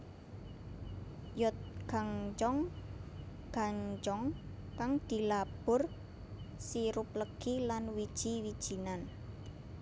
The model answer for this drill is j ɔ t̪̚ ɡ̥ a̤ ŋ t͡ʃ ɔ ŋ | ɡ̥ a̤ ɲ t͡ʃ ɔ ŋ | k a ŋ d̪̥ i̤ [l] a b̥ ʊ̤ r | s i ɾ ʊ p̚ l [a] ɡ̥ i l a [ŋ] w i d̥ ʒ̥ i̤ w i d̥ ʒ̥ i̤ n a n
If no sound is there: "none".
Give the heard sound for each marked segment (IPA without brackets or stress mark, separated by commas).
l, ə, n